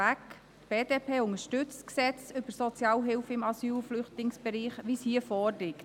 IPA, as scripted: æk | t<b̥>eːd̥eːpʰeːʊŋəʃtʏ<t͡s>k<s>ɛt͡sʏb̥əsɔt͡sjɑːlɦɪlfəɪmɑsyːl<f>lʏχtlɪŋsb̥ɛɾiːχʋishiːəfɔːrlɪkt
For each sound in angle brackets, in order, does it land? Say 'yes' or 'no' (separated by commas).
yes, yes, yes, yes